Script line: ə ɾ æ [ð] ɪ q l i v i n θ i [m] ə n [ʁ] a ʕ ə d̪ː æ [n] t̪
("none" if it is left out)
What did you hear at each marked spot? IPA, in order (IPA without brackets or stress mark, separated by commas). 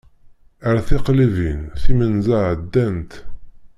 θ, m, z, n